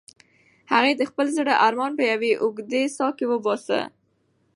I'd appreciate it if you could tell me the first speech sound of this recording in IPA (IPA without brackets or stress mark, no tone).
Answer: h